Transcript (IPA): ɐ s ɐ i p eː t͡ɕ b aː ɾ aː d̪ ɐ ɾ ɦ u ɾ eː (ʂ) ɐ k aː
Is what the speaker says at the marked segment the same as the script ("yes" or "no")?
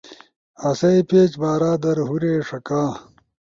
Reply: yes